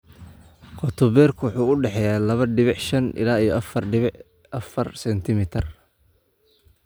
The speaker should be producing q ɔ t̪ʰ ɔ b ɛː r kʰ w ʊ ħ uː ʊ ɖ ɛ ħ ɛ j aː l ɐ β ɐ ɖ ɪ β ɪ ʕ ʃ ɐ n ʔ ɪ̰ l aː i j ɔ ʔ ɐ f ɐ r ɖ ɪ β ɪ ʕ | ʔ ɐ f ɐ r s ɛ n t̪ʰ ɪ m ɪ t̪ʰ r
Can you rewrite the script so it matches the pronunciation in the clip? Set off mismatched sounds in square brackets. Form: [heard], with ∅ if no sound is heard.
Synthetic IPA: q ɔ t̪ʰ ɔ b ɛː r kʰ w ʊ ħ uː ʊ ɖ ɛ ħ ɛ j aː l ɐ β ɐ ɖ ɪ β ɪ ʕ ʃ ɐ n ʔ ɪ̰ l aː i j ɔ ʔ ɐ f ɐ r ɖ ɪ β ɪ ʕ | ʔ ɐ f ɐ r s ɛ n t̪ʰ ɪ m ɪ t̪ʰ r